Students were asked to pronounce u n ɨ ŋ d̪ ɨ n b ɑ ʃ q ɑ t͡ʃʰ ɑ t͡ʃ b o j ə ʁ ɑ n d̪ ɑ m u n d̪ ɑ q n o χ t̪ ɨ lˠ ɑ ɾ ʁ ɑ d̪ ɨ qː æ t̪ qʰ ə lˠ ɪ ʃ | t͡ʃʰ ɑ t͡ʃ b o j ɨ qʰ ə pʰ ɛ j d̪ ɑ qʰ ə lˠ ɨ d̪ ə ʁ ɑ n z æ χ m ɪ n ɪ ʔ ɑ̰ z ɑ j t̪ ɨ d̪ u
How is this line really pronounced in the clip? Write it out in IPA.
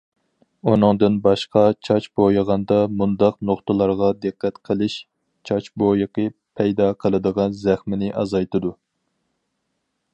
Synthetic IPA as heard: u n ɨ ŋ d̪ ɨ n b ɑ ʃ q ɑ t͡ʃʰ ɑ t͡ʃ b o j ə ʁ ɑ n d̪ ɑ m u n d̪ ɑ q n o χ t̪ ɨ lˠ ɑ ɾ ʁ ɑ d̪ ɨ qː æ t̪ qʰ ə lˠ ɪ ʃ | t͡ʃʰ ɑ t͡ʃ b o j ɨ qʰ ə pʰ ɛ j d̪ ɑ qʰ ə lˠ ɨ d̪ ə ʁ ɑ n z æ χ m ɪ n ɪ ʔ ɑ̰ z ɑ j t̪ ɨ d̪ u